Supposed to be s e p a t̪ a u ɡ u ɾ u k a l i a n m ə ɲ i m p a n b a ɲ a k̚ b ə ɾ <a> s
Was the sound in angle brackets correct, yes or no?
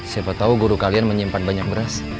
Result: yes